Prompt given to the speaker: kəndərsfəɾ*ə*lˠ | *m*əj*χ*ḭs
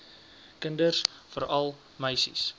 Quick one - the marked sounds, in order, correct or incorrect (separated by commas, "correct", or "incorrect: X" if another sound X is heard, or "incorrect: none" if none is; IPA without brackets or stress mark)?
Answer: incorrect: ɐ, correct, incorrect: s